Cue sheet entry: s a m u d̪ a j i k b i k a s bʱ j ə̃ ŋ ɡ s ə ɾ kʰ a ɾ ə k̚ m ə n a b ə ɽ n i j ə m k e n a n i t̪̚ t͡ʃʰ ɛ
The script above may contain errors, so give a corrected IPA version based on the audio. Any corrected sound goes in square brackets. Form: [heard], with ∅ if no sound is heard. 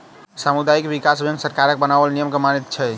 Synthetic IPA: s a m u d̪ a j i k b i k a s bʱ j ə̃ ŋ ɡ s ə ɾ [k] a ɾ ə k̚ [b] ə n a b ə [l] n i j ə m k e [m] a n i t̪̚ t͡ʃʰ ɛ